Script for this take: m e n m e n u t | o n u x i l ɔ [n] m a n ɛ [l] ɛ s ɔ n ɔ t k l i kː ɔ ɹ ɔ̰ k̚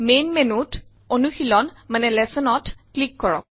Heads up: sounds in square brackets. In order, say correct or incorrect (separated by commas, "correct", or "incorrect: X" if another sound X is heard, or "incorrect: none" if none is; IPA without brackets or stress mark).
correct, correct